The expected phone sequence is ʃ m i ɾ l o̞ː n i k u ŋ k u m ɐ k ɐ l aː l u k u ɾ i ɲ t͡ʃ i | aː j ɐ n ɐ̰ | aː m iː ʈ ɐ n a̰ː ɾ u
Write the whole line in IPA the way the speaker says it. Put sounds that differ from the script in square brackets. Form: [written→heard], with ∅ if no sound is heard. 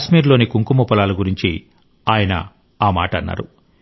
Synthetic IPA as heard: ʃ m [i→iː] ɾ l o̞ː n i k u ŋ k u m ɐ [k→p] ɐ l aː l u [k→ɡ] u ɾ i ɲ t͡ʃ i | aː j ɐ n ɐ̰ | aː m [iː→aː] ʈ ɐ [n→nː] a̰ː ɾ u